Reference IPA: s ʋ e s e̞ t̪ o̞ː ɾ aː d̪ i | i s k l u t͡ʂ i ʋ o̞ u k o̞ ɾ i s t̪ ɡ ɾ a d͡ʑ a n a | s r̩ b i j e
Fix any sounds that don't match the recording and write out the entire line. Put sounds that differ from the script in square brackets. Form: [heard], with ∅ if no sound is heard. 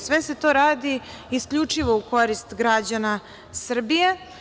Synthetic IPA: s ʋ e s e̞ t̪ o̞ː ɾ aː d̪ i | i s k [ʎ] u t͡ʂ i ʋ o̞ u k o̞ ɾ i s t̪ ɡ ɾ a d͡ʑ a n a | s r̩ b i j e